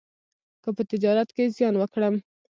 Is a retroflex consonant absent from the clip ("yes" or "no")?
no